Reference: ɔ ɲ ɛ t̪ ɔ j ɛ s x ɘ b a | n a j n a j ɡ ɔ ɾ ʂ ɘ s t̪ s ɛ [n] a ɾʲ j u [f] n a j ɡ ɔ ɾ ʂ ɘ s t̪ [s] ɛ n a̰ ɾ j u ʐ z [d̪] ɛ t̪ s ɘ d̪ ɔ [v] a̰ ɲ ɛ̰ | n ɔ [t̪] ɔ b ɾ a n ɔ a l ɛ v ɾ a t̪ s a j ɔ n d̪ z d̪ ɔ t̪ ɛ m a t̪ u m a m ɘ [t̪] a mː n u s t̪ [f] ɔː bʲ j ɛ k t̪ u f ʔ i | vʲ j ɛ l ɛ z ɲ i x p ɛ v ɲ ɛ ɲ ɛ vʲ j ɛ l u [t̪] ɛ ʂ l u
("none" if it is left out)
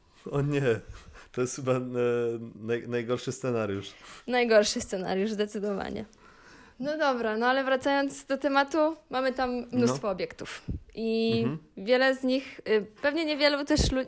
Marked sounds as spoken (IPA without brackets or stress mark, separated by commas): n, ʂ, s, d̪, v, d̪, t̪, f, t̪